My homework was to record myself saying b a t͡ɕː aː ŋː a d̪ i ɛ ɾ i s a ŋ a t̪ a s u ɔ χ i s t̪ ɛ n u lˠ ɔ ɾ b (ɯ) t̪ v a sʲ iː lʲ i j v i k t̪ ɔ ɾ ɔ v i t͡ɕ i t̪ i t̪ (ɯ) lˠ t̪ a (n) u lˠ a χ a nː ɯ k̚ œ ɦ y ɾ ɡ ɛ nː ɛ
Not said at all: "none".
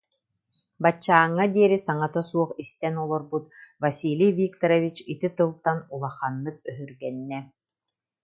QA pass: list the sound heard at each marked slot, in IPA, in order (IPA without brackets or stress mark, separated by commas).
u, ɯ, n